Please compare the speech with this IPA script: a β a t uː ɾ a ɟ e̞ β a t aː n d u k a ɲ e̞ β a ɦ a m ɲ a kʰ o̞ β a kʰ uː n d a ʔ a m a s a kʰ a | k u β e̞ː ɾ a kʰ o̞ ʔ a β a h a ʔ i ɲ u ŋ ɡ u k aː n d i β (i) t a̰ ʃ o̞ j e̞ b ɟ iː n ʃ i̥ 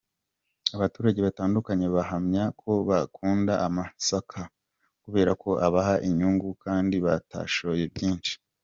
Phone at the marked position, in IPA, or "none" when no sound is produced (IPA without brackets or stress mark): a